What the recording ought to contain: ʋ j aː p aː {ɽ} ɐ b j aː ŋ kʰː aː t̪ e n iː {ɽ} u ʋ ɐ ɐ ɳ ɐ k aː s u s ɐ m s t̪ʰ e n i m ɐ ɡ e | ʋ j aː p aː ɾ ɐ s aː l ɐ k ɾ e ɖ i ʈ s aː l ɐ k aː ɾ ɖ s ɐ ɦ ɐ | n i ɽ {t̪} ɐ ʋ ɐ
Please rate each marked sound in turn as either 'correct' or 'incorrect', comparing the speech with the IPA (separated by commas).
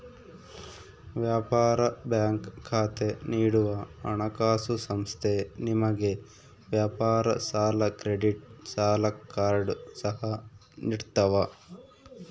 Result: incorrect, correct, correct